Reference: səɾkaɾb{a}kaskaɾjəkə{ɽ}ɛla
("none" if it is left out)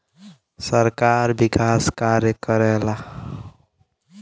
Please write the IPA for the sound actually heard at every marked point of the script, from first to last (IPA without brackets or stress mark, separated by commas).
i, ɾ